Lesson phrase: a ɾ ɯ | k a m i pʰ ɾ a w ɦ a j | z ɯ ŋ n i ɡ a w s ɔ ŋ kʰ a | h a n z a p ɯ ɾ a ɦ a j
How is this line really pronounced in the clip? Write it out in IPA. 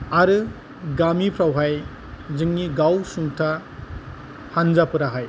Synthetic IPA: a ɾ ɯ | ɡ a m i pʰ ɾ a w ɦ a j | z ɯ ŋ n i ɡ a w s u ŋ tʰ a | h a n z a p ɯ ɾ a ɦ a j